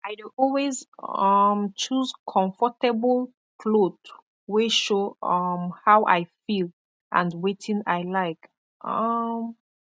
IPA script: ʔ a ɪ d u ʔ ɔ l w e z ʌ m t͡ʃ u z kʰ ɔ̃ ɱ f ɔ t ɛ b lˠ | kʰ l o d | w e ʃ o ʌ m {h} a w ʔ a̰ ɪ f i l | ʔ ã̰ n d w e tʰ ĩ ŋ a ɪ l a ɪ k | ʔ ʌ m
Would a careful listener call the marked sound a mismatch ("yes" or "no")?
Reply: no